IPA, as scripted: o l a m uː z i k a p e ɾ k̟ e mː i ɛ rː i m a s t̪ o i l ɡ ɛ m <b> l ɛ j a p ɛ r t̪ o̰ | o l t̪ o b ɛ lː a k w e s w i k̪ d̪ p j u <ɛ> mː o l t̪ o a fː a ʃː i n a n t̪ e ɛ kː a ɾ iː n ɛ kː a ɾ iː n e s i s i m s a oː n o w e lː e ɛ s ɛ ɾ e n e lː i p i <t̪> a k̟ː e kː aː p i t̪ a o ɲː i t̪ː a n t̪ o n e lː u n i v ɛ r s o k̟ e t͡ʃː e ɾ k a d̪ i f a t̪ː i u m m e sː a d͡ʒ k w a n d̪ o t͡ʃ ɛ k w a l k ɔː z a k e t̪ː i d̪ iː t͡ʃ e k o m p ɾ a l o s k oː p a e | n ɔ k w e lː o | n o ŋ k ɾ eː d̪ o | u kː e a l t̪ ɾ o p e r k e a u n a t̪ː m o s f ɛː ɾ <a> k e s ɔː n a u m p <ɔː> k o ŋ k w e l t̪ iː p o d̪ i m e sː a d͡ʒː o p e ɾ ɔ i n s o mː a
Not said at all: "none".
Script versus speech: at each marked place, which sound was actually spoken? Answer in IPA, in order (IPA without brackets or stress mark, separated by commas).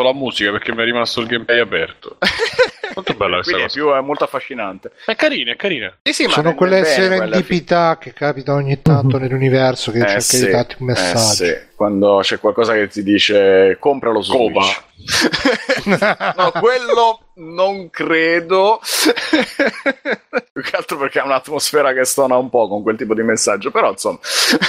p, ɛ, t̪, a, ɔ